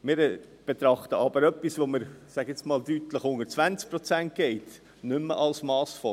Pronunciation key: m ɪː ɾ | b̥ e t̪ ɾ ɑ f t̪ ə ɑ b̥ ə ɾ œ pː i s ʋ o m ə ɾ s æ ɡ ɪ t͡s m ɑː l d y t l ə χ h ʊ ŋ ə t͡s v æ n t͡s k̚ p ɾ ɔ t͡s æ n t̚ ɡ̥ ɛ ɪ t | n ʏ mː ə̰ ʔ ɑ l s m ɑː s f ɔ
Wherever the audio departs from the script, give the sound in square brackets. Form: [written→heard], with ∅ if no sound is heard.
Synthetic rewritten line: m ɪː ɾ | b̥ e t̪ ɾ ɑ [f→χ] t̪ ə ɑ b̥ ə ɾ œ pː i s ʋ o m ə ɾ s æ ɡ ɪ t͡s m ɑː l d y t l ə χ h ʊ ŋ ə t͡s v æ n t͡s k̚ p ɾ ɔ t͡s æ n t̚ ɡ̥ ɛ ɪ t | n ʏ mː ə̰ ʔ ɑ l s m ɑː s f ɔ